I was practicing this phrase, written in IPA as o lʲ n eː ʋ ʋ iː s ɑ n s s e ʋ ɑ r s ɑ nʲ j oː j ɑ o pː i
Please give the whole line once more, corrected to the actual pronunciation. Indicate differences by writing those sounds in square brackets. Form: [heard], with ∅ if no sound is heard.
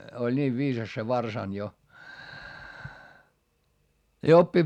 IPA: o lʲ n [iː] ʋ ʋ iː s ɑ [∅] s s e ʋ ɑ r s ɑ nʲ j [o] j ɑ o pː i

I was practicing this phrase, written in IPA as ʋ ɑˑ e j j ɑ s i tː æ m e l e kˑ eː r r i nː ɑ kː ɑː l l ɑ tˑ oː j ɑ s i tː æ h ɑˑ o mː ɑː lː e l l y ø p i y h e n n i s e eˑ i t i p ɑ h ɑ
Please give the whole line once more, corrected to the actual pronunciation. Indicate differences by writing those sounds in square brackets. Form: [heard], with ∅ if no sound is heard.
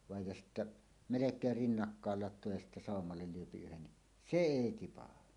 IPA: ʋ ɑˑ e j j ɑ s i tː æ m e l e kˑ eː r r i nː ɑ kː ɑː l l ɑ tˑ oː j ɑ s i tː æ [s] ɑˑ o mː [ɑ] lː e l l y ø p i y h e n n i s e eˑ i t i p ɑ h ɑ

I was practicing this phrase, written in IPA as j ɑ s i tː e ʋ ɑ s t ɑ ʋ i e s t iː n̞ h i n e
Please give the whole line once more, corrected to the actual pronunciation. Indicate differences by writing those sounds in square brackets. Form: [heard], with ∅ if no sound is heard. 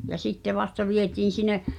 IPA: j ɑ s i tː e ʋ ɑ s t ɑ ʋ i e [∅] t iː n̞ [s] i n e

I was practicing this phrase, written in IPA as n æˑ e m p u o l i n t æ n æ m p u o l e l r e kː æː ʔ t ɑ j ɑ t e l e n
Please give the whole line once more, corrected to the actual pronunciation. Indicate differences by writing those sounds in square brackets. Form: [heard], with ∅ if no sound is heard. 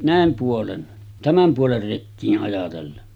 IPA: n æˑ e m p u o l [e] n t æ [m] æ m p u o l e [r] r e kː [iː] ʔ [ʔ] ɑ j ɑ t e [lː] e n

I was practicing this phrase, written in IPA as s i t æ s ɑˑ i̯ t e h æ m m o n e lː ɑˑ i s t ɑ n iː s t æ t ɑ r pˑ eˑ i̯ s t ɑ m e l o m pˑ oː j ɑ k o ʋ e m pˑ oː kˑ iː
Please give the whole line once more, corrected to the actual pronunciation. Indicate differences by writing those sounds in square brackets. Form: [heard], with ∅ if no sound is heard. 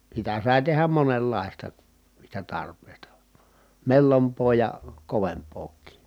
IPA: s i t æ s ɑˑ i̯ t e h æ m m o n e lː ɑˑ i s t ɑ n iː s t æ t ɑ r pˑ eˑ i̯ s t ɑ m e [lː] o m pˑ oː j ɑ k o ʋ e m pˑ oː kˑ iː

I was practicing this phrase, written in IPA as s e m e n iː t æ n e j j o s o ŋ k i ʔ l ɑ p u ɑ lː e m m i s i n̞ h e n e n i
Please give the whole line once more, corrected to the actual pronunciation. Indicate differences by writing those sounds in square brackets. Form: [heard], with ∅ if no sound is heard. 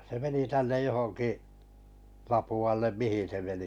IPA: s e m e n [i] t æ [nː] e j j o [h] o ŋ k i ʔ l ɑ p u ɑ lː e m m i [h] i n̞ [s] e [m] e n i

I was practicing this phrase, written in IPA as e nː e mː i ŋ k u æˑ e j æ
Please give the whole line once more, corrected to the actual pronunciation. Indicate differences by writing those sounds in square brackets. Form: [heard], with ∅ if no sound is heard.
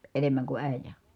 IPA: e [n] e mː [æ] ŋ k u æˑ [i] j æ

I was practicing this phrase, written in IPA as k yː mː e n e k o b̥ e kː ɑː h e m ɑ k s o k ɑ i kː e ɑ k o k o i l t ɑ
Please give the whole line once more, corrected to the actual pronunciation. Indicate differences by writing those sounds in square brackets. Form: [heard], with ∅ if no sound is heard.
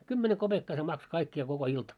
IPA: k [y] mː e n e k o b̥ e kː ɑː [s] e m ɑ k s o k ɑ i kː [i] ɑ k o k o i l t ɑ

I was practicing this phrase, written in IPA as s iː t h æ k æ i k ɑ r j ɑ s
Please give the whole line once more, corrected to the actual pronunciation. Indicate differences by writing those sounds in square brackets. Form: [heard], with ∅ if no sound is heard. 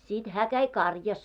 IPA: s [i] t h [æː] k æ i k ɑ r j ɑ s

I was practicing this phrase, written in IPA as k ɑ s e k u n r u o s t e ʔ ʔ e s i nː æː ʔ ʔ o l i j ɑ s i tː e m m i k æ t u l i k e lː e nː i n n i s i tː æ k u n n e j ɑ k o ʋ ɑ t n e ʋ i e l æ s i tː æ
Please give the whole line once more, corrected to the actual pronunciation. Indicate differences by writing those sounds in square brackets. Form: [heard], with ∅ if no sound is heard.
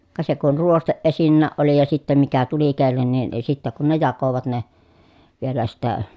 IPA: k ɑ s e k u n r u o s t e ʔ ʔ e s i nː æː ʔ ʔ o l i j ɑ s i tː e m m i k æ t u l i k e lː e nː i n n i s i tː æ k u n n e j ɑ k o ʋ ɑ t n e ʋ i e l æ s i tː æ

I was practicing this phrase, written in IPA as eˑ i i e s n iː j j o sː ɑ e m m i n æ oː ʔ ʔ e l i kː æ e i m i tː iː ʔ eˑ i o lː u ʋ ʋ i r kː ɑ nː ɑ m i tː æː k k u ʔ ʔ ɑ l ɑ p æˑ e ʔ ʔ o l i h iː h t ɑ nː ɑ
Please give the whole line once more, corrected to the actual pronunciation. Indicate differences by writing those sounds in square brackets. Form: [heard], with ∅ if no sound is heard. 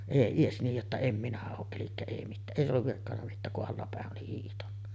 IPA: eˑ i i e s n iː j j o [tː] ɑ e m m i n æ oː ʔ ʔ e l i kː æ e i m i tː [æː] ʔ eˑ i o lː u ʋ ʋ i r kː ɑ nː ɑ m i tː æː k k u ʔ ʔ ɑ [lː] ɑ p æˑ e ʔ ʔ o l i h iː h t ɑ nː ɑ

